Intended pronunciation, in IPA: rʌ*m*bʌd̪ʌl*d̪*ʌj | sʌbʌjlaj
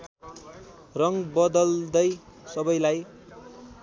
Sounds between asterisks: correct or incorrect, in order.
incorrect: ŋ, correct

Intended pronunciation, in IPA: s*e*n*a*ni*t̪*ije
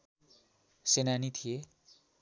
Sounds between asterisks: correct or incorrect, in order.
correct, correct, incorrect: t̪ʰ

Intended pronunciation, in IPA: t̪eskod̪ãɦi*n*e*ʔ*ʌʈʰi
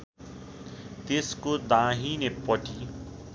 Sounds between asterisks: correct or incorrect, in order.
correct, incorrect: p

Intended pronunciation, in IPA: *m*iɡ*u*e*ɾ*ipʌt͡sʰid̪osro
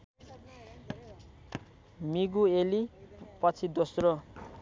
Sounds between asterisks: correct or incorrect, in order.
correct, correct, incorrect: l

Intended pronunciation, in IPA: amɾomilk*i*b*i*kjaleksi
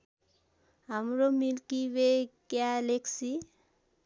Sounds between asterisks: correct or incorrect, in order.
correct, incorrect: e

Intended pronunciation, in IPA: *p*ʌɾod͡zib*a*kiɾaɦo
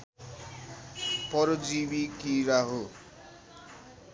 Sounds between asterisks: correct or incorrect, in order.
correct, incorrect: i

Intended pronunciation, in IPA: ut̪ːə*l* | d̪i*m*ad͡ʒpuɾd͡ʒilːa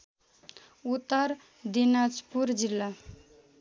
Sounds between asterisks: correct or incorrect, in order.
incorrect: ɾ, incorrect: n

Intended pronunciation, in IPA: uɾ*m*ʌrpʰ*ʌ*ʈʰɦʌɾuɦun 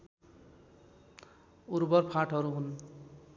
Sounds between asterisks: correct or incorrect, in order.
incorrect: b, incorrect: a

